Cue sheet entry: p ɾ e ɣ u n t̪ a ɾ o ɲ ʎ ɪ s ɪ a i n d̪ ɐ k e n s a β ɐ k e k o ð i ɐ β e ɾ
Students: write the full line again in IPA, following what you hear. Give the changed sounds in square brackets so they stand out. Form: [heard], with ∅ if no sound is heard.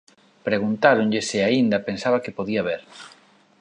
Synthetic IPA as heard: p ɾ e ɣ u n t̪ a ɾ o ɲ ʎ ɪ s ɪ a i n d̪ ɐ [p] e n s a β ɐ k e [p] o ð i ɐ β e ɾ